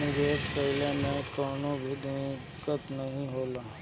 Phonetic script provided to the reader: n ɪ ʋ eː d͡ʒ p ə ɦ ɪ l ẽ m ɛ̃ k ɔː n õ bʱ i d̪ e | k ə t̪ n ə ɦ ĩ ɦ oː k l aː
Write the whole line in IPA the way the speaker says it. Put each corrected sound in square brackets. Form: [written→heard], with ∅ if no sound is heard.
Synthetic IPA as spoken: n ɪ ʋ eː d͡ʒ p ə ɦ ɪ l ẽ m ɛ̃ k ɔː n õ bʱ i d̪ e | k ə t̪ n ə ɦ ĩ ɦ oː [k→∅] l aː